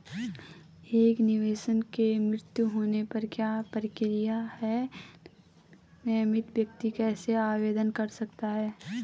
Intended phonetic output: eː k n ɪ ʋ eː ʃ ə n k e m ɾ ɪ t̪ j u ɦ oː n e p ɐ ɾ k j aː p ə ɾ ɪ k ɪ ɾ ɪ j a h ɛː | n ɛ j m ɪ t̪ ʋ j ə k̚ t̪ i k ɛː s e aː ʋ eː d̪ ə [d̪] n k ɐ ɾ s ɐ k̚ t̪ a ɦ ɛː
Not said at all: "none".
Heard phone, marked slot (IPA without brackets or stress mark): none